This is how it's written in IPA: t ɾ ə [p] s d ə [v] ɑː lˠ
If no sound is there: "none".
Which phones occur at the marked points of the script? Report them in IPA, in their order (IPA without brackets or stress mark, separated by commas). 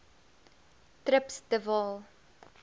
p, v